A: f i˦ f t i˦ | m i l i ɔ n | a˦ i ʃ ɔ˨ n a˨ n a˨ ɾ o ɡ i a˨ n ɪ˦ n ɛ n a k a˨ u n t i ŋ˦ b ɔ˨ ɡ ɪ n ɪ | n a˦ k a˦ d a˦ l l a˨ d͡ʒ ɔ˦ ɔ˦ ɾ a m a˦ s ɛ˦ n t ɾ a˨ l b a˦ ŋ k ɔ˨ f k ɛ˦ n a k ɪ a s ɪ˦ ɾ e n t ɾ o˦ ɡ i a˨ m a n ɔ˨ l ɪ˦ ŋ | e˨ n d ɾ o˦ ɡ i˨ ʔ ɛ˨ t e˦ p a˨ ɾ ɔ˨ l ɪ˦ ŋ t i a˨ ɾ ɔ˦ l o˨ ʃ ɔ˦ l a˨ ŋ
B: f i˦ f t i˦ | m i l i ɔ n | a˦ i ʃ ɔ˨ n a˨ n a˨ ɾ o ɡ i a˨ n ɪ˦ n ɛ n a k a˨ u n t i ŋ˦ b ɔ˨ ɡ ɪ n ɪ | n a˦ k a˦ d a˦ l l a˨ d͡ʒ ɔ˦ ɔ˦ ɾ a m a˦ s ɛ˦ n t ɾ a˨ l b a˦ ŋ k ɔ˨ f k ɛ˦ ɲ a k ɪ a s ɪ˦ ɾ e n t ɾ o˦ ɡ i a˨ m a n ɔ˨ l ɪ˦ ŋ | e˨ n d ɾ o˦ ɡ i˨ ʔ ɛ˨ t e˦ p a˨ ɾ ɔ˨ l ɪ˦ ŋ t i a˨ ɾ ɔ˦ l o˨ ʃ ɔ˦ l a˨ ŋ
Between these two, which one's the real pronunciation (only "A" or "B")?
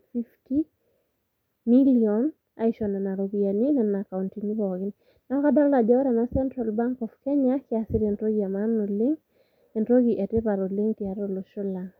B